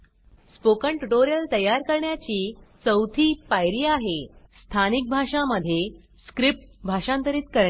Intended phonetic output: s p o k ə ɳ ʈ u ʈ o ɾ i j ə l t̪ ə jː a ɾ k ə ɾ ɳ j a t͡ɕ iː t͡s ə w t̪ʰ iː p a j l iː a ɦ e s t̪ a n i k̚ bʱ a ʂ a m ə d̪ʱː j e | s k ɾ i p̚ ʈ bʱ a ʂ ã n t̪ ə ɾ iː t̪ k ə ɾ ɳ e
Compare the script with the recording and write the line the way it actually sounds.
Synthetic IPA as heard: s p o k ə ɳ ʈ u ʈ o ɾ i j ə l t̪ ə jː a ɾ k ə ɾ ɳ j a t͡ɕ iː t͡s ə w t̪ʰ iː p a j ɾ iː a ɦ e s t̪ʰ a n i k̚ bʱ a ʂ a m ə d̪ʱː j e | s k ɾ i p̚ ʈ bʱ a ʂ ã n t̪ ə ɾ iː t̪ k ə ɾ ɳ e